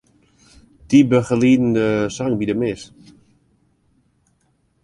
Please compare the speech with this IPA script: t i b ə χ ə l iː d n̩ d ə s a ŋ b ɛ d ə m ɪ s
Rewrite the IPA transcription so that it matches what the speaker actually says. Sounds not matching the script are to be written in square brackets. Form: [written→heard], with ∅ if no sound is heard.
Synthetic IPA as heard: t i b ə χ ə l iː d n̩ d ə s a ŋ b [ɛ→i] d ə m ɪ s